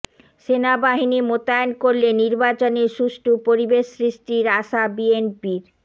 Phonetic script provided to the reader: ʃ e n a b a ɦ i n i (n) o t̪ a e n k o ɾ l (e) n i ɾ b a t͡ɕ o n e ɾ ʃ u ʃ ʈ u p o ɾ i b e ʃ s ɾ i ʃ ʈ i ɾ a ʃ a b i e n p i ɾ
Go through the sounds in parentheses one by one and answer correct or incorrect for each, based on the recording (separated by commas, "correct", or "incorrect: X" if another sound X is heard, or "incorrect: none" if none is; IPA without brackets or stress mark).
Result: incorrect: m, correct